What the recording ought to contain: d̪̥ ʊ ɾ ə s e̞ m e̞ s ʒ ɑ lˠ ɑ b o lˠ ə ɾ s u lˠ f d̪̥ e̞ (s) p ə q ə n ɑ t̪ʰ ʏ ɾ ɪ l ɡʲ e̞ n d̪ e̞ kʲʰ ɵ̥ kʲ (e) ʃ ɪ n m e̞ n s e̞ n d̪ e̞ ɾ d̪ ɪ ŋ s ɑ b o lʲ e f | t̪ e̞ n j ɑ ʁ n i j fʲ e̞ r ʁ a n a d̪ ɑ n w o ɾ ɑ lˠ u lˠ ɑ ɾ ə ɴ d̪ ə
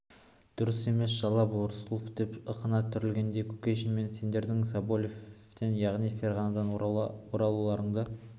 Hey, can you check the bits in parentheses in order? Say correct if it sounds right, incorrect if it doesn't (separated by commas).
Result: incorrect, correct